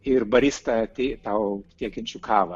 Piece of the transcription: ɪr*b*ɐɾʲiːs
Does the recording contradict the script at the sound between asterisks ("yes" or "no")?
no